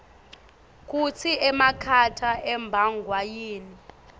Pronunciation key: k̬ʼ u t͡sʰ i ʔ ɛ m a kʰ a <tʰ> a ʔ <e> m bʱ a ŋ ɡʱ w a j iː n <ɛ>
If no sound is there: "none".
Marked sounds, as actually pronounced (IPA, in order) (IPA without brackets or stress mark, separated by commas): tʰ, ɛ, i